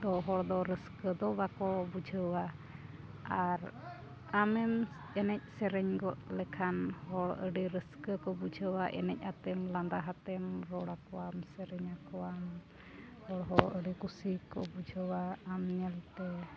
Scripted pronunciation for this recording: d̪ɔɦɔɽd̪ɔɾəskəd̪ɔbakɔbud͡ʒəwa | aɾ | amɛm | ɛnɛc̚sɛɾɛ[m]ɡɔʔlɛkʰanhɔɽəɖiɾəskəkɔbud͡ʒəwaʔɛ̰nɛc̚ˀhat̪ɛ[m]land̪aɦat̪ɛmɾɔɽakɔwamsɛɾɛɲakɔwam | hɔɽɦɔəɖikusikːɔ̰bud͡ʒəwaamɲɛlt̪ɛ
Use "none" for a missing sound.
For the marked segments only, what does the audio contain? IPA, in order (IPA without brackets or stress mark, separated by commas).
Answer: ɲ, m